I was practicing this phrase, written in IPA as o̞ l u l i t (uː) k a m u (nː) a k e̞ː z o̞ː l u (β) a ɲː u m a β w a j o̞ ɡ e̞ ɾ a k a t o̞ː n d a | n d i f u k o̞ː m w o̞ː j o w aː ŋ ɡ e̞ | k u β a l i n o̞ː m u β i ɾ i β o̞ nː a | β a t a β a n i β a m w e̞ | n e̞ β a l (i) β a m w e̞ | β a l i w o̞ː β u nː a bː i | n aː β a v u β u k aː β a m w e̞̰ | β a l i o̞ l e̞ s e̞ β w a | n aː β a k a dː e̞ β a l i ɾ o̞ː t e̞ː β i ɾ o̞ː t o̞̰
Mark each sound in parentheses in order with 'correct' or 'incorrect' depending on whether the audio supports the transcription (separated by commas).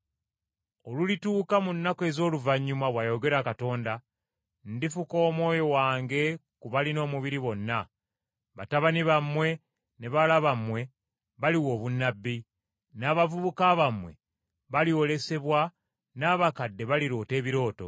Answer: correct, correct, incorrect, incorrect